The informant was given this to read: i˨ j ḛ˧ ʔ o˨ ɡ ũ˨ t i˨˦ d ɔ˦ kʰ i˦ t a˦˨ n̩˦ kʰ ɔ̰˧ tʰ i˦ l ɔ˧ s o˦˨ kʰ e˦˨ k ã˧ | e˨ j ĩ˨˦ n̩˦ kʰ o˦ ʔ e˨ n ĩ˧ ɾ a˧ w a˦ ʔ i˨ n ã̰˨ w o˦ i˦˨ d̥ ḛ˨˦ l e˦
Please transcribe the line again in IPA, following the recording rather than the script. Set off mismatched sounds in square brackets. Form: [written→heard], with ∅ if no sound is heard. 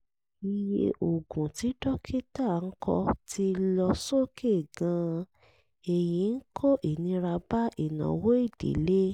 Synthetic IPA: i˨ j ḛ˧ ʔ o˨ ɡ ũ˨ t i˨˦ d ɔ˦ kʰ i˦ t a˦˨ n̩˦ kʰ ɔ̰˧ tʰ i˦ l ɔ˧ s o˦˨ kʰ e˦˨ [k→ɡ] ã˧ | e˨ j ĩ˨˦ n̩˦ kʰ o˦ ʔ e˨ n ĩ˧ ɾ a˧ [w→b] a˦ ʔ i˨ n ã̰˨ w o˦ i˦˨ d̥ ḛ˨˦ l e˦